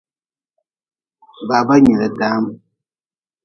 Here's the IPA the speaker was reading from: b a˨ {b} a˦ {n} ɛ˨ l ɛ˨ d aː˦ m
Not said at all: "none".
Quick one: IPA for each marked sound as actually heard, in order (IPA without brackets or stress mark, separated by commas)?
b, ɲ